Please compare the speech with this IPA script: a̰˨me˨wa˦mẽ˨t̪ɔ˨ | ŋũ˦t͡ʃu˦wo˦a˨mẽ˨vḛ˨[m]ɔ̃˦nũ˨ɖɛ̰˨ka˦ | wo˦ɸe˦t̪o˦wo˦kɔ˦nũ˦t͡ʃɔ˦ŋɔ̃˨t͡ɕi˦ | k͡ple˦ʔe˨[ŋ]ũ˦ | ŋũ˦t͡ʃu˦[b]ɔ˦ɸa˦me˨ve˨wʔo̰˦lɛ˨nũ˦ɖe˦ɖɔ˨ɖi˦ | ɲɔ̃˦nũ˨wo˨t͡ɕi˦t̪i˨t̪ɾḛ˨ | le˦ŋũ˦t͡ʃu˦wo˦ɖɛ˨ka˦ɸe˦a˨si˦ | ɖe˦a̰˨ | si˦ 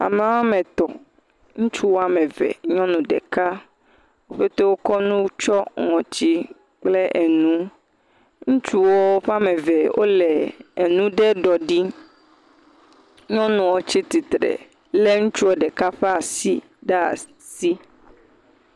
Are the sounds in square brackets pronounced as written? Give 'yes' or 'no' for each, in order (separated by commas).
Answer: no, no, no